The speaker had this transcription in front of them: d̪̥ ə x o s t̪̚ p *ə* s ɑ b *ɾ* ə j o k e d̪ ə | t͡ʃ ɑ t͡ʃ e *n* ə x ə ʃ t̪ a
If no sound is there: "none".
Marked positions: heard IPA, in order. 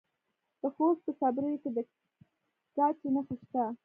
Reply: ə, ɾ, n

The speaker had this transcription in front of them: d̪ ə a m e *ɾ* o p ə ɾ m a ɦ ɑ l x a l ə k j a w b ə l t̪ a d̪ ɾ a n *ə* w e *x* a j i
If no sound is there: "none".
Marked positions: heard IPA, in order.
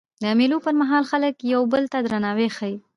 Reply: l, ɑ, x

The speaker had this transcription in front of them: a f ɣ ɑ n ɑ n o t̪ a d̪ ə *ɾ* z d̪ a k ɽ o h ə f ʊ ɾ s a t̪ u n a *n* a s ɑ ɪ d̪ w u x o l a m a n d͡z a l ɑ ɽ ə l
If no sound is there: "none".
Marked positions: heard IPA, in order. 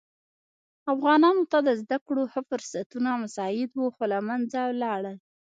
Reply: none, m

